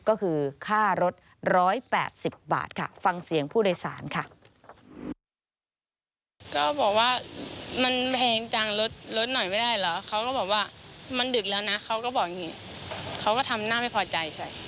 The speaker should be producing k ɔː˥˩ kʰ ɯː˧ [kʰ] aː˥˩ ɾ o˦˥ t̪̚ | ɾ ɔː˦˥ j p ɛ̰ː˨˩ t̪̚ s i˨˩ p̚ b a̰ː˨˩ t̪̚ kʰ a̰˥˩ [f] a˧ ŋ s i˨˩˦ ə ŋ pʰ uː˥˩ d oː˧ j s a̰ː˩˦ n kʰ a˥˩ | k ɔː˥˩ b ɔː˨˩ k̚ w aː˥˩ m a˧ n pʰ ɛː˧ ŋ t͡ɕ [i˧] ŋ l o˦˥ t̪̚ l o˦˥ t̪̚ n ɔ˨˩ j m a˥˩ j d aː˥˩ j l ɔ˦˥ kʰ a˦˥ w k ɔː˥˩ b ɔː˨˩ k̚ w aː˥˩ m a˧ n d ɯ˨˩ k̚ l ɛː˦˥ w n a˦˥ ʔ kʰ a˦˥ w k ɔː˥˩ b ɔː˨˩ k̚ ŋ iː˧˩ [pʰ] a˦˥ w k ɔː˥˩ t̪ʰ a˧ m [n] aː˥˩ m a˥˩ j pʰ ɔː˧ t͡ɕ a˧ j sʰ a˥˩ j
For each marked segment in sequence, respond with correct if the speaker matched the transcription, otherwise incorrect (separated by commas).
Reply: correct, correct, incorrect, incorrect, correct